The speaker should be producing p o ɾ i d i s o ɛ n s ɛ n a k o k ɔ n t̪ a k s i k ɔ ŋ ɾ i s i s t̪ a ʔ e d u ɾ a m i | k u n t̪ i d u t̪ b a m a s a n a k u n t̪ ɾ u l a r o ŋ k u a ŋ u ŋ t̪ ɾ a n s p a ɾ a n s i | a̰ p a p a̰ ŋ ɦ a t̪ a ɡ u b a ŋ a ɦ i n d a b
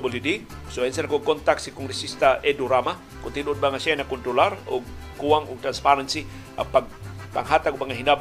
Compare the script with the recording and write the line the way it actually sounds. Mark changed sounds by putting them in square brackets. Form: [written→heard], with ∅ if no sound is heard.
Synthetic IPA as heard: [p→b] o [ɾ→l] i d i s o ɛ n s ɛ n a k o k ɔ n t̪ a k s i k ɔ ŋ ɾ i s i s t̪ a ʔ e d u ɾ a m [i→a] | k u n t̪ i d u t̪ b a [m→ŋ] a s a n a k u n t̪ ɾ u l a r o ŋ k u a ŋ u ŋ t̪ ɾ a n s p a ɾ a n s i | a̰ p a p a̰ ŋ ɦ a t̪ a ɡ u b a ŋ a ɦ i n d a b